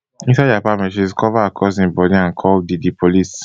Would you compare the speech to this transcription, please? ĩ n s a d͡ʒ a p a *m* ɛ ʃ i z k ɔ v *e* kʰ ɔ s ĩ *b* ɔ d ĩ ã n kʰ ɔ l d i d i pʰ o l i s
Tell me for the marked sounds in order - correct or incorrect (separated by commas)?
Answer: correct, incorrect, correct